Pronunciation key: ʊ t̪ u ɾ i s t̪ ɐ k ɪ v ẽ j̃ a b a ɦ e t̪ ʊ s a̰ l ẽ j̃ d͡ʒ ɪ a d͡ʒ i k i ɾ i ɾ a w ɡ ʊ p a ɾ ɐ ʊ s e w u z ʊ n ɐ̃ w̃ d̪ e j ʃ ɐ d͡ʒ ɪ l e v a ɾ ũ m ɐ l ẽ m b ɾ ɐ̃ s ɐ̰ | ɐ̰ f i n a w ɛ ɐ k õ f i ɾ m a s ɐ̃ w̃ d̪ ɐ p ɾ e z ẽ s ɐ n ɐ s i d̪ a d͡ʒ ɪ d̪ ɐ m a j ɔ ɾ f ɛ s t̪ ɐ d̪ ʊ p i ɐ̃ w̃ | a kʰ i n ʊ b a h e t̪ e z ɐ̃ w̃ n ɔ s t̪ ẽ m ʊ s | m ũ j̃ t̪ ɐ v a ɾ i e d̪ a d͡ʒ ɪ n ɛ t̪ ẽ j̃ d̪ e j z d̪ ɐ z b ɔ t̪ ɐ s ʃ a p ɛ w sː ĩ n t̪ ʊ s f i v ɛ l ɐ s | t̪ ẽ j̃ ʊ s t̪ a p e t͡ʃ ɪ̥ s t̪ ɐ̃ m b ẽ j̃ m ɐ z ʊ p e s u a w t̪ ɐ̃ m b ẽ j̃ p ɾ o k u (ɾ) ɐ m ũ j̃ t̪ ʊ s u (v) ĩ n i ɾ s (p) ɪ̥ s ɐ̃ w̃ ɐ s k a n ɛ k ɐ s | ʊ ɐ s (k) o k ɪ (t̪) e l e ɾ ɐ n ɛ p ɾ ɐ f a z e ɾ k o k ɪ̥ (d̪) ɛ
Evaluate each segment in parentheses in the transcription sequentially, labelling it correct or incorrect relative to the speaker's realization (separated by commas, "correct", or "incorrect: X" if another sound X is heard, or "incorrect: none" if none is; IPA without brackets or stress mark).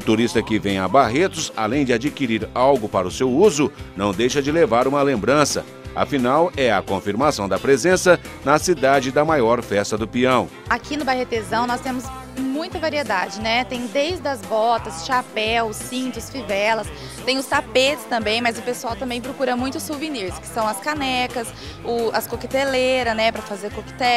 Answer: correct, correct, incorrect: k, correct, correct, incorrect: t̪